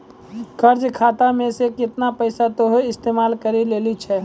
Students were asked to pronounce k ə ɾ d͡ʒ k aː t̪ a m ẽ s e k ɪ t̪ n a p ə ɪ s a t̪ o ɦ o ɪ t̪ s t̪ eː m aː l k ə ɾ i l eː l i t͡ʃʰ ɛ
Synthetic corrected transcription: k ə ɾ d͡ʒ kʰ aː t̪ a m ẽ s e k ɪ t̪ n a p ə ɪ s a t̪ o ɦ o ɪ s t̪ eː m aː l k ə ɾ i l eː l i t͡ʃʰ ɛ